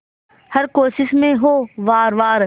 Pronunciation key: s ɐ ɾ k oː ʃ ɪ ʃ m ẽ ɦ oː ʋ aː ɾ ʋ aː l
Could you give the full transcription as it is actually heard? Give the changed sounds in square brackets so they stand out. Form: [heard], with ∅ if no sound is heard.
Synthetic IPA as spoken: [h] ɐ ɾ k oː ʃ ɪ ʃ m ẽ ɦ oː ʋ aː ɾ ʋ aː [ɾ]